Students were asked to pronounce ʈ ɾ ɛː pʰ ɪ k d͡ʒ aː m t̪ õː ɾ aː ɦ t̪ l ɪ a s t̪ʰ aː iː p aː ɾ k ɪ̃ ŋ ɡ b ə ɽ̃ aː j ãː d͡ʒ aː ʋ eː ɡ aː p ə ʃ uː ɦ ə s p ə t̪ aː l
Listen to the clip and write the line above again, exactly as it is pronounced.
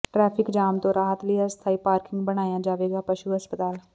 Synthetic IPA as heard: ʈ ɾ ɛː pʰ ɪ k d͡ʒ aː m t̪ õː ɾ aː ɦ t̪ l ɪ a s t̪ʰ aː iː p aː ɾ k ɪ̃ ŋ ɡ b ə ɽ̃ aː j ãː d͡ʒ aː ʋ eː ɡ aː p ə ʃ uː ɦ ə s p ə t̪ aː l